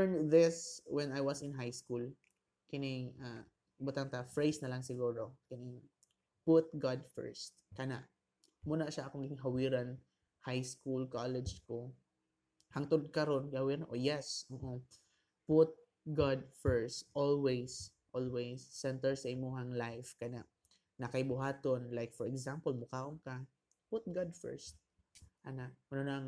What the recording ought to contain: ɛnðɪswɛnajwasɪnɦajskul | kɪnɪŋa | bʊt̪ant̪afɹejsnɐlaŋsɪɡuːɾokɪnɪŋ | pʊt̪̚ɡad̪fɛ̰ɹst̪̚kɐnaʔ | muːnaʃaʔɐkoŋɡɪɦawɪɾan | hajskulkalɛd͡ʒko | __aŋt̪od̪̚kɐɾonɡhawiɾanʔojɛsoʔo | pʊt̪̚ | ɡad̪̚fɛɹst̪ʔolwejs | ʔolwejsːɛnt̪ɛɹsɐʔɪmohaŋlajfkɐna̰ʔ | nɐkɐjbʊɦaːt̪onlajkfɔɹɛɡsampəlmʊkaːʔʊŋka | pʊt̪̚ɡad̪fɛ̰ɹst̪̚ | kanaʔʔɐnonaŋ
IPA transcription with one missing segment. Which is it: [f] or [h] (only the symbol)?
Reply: h